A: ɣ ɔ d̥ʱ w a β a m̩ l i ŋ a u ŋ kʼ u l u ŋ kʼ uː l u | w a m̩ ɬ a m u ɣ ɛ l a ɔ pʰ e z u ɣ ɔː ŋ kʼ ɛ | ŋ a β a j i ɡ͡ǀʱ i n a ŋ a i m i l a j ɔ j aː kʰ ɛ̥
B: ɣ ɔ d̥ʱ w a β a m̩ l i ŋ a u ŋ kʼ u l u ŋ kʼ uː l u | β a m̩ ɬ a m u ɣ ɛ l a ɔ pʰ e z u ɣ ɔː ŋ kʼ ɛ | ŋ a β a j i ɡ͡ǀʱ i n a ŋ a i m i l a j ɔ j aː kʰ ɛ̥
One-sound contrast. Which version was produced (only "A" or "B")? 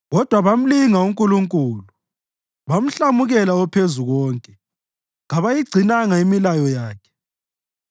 B